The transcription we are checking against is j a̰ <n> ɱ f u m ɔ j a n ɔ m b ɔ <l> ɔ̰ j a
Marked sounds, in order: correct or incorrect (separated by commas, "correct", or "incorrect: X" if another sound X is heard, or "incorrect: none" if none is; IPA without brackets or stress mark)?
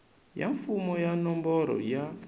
incorrect: none, incorrect: ɾ